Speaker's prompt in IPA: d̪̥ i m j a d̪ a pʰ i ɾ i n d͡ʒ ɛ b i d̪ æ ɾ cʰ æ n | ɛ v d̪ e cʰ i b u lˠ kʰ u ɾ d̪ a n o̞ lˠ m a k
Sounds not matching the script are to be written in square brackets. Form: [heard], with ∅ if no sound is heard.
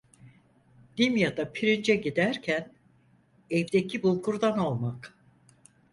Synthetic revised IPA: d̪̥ i m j a d̪ a pʰ i ɾ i n d͡ʒ ɛ [ɟ] i d̪ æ ɾ cʰ æ n | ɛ v d̪ e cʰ i b u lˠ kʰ u ɾ d̪ a n o̞ lˠ m a k

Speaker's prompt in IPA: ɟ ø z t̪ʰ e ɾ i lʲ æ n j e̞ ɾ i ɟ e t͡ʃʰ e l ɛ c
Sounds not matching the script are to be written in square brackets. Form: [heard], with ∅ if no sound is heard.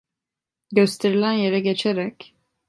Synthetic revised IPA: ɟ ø [s] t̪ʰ e ɾ i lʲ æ n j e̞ ɾ [ɛ] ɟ e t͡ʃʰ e [ɾ] ɛ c

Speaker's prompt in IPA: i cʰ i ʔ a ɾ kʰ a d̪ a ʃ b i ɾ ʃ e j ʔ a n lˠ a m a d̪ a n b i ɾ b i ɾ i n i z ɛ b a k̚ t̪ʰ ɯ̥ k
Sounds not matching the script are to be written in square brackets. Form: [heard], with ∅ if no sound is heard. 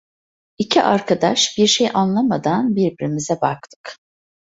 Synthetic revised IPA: i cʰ i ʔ a ɾ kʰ a d̪ a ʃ b i ɾ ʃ e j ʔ a n lˠ a m a d̪ a n b i ɾ b i ɾ i [m] i z ɛ b a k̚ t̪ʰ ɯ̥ k

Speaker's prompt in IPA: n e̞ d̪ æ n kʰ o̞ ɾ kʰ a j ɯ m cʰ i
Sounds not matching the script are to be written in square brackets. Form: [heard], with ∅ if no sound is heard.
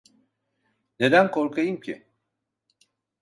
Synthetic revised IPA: n e̞ d̪ æ n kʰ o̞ ɾ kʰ a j ɯ m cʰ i

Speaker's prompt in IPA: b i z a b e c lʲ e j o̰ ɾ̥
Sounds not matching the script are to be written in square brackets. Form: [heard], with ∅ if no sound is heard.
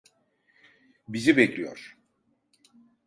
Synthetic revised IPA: b i z [i] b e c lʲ [i] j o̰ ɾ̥

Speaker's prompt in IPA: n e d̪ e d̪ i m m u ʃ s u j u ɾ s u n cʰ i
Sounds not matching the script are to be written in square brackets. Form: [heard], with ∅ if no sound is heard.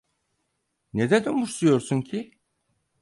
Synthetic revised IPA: n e d̪ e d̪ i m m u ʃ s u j [o] ɾ s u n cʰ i

